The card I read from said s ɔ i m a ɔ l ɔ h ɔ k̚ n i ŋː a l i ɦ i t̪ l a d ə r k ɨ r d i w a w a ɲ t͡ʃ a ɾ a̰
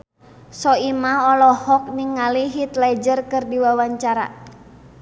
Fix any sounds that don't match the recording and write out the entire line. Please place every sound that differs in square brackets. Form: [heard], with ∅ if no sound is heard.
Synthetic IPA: s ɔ i m a ɔ l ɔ h ɔ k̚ n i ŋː a l i ɦ i t̪ l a [d͡ʒ] ə r k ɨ r d i w a w a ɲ t͡ʃ a ɾ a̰